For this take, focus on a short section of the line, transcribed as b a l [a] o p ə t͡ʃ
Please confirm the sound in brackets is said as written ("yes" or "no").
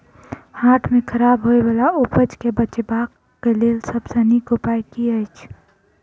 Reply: yes